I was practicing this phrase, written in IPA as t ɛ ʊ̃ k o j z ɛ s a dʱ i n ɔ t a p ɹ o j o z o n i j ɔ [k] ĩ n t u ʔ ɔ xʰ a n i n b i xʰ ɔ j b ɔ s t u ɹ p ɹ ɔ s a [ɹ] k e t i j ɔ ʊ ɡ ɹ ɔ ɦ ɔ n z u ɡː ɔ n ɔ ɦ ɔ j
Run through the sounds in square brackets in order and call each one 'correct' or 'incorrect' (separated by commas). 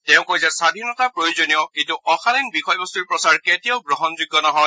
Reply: correct, correct